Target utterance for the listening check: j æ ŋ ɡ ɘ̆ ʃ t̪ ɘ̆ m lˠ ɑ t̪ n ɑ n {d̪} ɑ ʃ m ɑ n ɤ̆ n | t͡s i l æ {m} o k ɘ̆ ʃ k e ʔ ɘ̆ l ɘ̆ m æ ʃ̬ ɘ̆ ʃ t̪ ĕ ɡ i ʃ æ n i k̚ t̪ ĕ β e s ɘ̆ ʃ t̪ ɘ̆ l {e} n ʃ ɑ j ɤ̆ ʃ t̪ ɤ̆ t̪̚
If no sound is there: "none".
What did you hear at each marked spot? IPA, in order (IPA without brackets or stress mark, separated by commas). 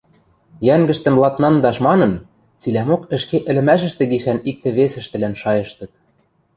d̪, m, æ